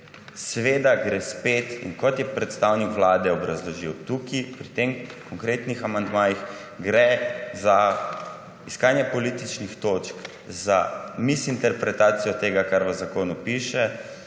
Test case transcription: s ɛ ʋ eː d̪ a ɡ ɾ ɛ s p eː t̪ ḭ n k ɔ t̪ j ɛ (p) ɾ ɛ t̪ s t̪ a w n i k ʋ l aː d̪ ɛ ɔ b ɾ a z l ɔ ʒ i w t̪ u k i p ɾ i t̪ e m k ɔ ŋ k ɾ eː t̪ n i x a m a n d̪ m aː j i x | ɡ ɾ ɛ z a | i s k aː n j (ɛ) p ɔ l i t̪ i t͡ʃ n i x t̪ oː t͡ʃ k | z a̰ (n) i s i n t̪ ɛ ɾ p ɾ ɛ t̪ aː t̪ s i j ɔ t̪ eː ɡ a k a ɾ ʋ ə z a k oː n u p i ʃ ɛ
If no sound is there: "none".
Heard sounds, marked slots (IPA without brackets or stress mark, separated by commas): p, ɛ, m